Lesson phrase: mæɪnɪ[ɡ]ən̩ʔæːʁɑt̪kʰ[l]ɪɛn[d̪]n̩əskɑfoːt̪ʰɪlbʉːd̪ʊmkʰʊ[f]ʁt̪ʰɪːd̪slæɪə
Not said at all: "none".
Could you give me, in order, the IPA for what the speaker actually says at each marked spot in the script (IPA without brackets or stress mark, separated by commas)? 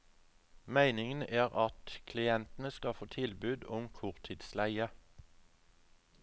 ŋ, l, t̪, none